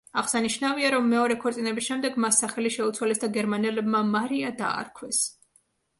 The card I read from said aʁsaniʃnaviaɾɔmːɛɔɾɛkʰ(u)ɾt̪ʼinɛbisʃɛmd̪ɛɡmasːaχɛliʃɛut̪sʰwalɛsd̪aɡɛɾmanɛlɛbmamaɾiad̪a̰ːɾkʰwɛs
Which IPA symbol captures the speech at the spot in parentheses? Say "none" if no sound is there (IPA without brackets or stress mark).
ɔ